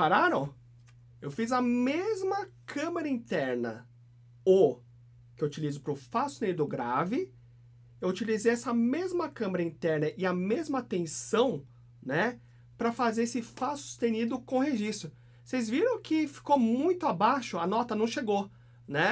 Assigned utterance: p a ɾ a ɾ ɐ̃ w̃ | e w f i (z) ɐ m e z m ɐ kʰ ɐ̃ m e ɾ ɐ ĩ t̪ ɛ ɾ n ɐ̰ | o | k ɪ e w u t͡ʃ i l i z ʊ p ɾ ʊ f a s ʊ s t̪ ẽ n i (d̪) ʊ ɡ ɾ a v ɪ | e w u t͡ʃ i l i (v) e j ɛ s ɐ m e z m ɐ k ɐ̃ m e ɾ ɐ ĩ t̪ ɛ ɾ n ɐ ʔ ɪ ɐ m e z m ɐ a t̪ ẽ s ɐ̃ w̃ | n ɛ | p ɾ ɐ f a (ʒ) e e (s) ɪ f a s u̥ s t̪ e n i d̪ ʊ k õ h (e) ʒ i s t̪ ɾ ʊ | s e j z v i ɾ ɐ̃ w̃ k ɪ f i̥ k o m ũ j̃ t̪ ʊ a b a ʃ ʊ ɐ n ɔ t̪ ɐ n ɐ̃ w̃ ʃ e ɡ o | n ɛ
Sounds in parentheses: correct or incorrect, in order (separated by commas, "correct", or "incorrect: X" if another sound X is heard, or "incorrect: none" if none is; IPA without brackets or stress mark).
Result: correct, correct, incorrect: z, incorrect: z, correct, correct